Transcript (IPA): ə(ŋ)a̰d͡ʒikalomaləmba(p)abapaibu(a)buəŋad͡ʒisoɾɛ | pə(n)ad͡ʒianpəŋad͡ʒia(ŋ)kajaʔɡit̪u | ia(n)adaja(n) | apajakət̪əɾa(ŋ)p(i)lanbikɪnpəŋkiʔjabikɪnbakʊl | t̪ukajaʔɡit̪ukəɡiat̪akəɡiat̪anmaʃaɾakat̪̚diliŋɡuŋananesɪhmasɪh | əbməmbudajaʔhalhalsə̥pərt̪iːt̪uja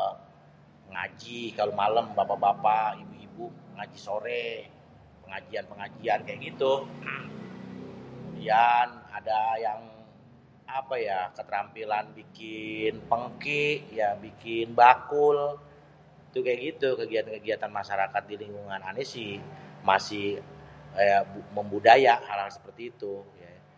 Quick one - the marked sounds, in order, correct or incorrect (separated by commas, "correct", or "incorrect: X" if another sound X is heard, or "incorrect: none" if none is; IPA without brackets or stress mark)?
correct, correct, incorrect: i, incorrect: ŋ, incorrect: n, correct, incorrect: ŋ, incorrect: m, correct